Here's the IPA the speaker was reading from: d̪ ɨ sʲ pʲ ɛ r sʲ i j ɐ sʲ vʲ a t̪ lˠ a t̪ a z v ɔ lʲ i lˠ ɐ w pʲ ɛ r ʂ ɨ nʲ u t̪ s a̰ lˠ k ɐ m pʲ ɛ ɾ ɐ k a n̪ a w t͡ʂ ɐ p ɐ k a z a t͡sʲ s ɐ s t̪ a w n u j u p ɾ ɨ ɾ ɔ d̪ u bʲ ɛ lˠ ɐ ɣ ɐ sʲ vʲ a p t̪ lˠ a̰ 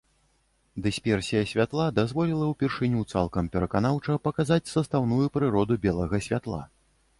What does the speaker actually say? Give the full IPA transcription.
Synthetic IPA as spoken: d̪ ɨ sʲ pʲ ɛ r sʲ i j ɐ sʲ vʲ a t̪ lˠ a d̪ a z v ɔ lʲ i lˠ ɐ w pʲ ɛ r ʂ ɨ nʲ u t̪ s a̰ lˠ k ɐ m pʲ ɛ ɾ ɐ k a n̪ a w t͡ʂ ɐ p ɐ k a z a t͡sʲ s ɐ s t̪ a w n u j u p ɾ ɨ ɾ ɔ d̪ u bʲ ɛ lˠ ɐ ɣ ɐ sʲ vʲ a t̪ lˠ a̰